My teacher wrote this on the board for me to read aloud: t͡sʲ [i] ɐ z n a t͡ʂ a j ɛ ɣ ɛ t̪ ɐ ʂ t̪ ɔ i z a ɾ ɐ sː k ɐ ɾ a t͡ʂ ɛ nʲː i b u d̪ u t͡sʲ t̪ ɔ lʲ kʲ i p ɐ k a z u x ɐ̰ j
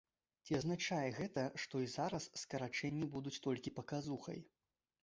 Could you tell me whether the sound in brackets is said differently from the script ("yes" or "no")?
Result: no